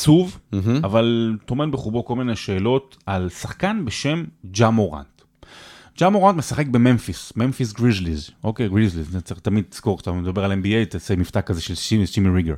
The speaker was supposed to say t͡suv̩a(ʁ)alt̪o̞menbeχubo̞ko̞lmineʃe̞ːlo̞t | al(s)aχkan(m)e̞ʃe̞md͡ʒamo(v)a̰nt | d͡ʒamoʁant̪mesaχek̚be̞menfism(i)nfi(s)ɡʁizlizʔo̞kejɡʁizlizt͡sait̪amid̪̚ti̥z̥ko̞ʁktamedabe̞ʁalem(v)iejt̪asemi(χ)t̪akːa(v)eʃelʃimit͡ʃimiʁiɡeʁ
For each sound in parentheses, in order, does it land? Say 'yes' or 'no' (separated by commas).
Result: no, yes, no, no, no, yes, no, no, no